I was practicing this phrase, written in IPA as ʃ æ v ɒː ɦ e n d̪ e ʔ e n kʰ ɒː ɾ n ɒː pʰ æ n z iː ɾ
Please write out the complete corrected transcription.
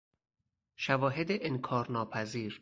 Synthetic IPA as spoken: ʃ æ v ɒː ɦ e d̪ e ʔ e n kʰ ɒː ɾ n ɒː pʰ æ z iː ɾ